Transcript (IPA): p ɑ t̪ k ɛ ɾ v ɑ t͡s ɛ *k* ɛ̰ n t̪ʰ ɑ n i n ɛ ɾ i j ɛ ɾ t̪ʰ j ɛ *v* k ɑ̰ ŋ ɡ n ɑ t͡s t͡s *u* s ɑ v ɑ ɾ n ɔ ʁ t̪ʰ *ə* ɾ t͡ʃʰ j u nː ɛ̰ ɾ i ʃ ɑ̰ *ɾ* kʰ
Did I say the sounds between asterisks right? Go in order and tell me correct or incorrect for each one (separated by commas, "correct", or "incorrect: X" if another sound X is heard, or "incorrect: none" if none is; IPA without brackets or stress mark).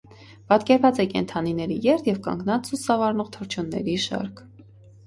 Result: correct, correct, correct, correct, correct